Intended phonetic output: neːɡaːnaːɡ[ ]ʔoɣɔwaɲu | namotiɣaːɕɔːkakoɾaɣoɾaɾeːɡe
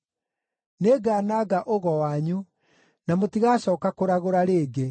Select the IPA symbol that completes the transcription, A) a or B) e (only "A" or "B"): A